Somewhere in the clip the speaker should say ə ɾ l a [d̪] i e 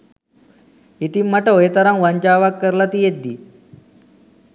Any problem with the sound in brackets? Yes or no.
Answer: yes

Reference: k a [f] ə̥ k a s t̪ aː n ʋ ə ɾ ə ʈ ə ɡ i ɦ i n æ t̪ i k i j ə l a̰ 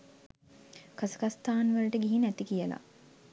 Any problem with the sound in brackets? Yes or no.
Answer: yes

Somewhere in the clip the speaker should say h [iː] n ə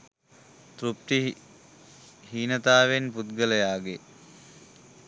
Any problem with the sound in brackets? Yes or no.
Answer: no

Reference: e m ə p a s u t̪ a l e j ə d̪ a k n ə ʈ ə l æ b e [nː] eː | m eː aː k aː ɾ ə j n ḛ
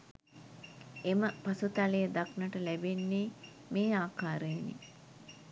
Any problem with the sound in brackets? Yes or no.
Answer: no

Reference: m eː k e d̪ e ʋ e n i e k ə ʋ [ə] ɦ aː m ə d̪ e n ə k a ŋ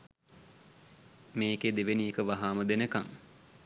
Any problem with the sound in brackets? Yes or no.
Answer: yes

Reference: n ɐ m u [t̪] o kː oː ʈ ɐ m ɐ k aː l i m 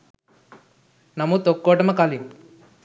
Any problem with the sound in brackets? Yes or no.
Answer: no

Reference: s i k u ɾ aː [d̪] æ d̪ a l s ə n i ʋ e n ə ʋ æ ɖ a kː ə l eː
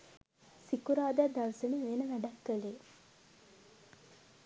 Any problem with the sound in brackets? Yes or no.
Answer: no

